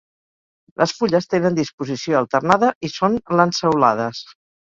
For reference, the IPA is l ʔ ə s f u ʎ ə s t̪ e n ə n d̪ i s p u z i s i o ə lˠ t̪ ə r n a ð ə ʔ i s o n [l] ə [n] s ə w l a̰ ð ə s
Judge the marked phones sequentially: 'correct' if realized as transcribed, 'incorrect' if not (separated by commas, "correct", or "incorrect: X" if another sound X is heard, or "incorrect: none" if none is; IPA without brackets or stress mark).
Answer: correct, correct